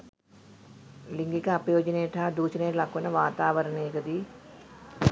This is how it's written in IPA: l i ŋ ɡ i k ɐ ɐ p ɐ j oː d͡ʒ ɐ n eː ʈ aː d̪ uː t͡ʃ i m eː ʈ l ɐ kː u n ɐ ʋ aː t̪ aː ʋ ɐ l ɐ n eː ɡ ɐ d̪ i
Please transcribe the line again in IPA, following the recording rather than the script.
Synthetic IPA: l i ŋ ɡ i k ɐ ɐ p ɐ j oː d͡ʒ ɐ n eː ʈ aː d̪ uː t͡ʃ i n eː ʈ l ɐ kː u n ɐ ʋ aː t̪ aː ʋ ɐ ɾ ɐ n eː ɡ ɐ d̪ i